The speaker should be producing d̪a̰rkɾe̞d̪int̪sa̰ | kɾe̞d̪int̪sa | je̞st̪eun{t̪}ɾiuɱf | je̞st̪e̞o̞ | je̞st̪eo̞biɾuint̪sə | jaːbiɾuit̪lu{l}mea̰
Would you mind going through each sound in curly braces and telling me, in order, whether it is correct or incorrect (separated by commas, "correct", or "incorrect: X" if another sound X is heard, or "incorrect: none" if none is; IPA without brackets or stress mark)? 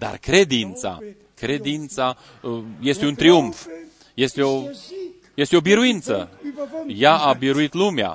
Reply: correct, incorrect: none